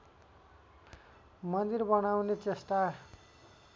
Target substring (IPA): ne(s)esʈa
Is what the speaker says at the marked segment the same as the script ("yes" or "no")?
no